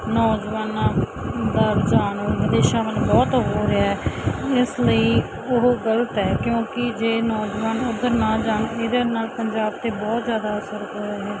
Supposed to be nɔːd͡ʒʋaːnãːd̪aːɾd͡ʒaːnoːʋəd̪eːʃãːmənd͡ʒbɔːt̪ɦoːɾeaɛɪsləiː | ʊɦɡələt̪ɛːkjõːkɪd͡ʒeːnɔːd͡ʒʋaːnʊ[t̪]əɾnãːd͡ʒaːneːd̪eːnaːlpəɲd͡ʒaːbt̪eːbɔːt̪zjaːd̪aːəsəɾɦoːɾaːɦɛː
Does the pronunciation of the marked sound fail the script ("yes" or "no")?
yes